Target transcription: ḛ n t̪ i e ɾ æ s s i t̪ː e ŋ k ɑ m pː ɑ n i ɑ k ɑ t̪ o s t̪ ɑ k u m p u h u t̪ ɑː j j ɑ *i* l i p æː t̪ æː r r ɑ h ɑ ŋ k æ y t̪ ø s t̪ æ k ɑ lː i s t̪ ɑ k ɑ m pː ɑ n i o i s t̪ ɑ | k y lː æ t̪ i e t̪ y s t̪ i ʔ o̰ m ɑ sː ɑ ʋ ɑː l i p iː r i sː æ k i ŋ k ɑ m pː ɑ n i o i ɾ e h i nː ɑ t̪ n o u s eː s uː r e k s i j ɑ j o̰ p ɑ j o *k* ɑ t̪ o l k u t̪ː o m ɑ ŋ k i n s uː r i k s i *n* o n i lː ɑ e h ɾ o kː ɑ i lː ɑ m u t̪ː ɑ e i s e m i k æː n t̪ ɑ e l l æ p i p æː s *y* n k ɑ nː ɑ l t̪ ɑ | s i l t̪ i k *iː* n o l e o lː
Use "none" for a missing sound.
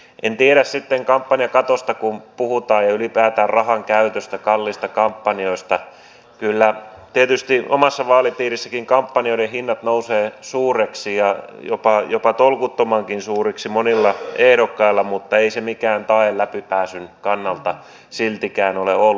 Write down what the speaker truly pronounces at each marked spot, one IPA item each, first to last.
y, p, m, y, æː

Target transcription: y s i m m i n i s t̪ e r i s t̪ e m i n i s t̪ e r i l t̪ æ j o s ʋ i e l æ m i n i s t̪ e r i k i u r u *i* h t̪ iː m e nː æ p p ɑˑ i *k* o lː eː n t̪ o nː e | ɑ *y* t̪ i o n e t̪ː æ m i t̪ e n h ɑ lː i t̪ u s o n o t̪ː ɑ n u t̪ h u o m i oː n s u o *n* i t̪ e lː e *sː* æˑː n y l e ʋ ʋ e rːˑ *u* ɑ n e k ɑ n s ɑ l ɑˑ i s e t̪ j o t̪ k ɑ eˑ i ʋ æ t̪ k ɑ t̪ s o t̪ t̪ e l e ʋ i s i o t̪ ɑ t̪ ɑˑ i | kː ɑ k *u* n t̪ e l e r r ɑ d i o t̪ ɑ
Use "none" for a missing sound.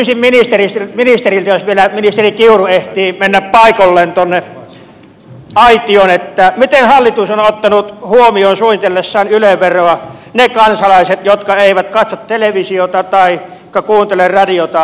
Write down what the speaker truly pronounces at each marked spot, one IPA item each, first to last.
e, k, i, n, sː, o, uː

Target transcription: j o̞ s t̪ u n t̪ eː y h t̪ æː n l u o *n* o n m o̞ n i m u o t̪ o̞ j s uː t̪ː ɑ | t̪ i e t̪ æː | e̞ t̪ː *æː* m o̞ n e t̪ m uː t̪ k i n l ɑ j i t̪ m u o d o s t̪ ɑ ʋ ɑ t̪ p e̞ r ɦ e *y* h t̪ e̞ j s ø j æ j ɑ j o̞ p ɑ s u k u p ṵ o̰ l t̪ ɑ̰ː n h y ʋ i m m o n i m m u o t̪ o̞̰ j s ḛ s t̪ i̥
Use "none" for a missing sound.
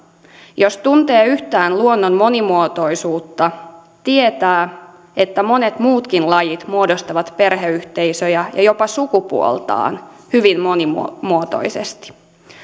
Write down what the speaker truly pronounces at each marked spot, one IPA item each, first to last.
nː, æ, y

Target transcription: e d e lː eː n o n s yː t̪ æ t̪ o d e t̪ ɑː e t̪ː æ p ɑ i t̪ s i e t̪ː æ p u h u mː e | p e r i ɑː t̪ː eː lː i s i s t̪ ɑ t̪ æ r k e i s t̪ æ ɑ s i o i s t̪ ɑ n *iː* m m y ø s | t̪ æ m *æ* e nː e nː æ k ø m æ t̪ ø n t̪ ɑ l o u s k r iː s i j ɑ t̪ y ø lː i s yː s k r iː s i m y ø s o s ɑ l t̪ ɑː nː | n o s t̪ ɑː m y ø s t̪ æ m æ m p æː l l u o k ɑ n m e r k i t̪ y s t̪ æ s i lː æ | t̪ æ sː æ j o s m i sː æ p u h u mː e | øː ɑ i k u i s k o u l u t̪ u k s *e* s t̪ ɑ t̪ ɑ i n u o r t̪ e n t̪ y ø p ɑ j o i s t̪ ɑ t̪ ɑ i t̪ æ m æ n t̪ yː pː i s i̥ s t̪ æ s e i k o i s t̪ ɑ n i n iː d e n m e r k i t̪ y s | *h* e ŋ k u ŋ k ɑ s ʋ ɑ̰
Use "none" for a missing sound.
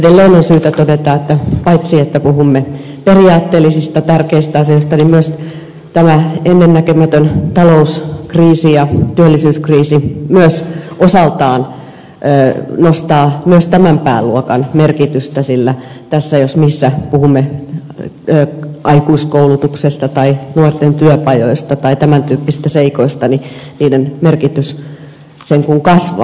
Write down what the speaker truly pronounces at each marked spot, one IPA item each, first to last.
i, æ, e, s

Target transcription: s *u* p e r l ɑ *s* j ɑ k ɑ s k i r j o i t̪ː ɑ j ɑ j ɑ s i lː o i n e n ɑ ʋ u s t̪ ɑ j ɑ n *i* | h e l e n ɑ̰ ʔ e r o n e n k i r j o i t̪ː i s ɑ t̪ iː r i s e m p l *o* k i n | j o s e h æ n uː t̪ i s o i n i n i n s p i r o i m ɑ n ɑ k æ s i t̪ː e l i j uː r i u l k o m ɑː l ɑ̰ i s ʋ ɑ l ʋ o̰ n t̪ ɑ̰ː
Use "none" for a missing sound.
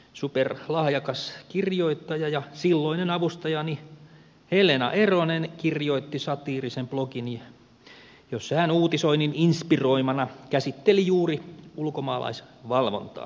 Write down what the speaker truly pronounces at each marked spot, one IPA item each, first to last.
u, h, i, o

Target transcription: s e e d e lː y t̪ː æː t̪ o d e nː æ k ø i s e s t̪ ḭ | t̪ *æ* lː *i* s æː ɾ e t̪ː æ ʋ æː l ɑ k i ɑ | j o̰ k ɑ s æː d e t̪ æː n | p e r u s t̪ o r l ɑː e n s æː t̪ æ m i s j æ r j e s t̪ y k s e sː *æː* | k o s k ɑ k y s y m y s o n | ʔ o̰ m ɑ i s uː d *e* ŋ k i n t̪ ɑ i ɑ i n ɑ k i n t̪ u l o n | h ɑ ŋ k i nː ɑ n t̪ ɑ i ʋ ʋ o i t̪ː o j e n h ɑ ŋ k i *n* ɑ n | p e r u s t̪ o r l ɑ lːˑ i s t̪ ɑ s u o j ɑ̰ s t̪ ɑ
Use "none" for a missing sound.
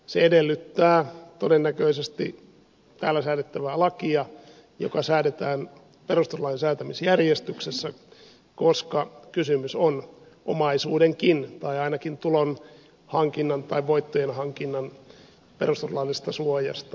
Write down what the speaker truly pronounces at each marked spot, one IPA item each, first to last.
æː, æ, æ, e, nː

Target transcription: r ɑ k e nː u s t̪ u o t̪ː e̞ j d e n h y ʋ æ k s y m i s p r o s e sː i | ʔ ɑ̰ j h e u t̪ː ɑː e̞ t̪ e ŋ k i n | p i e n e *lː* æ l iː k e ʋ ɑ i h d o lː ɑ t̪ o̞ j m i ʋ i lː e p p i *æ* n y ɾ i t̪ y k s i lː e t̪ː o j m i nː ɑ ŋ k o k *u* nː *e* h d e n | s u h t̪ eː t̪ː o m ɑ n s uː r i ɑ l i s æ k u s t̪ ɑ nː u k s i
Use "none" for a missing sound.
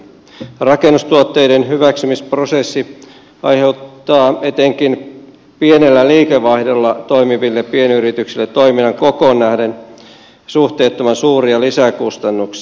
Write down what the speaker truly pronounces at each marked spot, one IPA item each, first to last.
lː, e, o, æ

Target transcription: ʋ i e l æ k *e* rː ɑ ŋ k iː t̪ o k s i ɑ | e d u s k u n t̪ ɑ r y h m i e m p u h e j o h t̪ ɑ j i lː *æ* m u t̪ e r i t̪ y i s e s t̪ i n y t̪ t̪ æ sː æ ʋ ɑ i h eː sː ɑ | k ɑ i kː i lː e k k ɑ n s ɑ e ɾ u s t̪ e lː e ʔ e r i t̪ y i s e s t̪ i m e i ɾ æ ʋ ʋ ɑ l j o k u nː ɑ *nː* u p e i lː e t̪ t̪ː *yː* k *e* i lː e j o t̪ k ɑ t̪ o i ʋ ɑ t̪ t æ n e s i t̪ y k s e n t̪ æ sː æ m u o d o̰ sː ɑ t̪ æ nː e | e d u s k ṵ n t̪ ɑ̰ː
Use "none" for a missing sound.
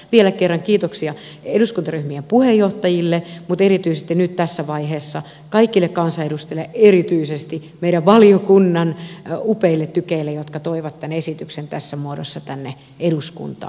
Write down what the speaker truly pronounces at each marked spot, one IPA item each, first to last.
e, e, n, y, e

